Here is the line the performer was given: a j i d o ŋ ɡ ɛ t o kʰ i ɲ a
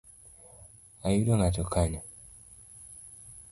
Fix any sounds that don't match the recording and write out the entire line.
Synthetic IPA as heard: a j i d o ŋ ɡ a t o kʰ a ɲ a